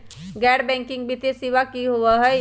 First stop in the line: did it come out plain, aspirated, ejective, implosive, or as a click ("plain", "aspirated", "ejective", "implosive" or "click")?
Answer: plain